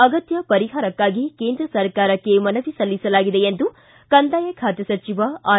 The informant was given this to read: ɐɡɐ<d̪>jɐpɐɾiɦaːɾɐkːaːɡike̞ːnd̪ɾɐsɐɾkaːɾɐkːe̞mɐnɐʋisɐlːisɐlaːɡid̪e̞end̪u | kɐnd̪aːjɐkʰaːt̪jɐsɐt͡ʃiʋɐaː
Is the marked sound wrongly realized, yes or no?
yes